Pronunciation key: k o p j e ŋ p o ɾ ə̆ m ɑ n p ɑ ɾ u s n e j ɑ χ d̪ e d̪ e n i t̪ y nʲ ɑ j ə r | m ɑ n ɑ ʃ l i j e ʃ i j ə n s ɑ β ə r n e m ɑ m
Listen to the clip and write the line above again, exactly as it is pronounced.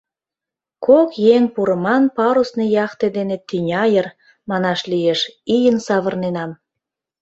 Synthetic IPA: k o k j e ŋ p u ɾ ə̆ m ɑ n p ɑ ɾ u s n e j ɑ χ t̪ e d̪ e n e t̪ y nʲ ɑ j ə r | m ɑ n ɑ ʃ l i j e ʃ i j ə n s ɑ β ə r n e n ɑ m